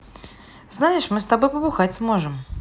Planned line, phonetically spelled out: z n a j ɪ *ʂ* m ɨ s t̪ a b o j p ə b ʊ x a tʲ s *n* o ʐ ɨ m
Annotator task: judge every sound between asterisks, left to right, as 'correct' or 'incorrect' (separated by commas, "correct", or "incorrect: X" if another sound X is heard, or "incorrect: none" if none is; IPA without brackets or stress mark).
correct, incorrect: m